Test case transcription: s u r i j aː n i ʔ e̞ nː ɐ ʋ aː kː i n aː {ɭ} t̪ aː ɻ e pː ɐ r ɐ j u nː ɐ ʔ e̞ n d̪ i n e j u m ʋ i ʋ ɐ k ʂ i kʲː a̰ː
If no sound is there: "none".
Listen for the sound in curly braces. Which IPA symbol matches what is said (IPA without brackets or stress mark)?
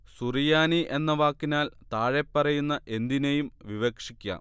l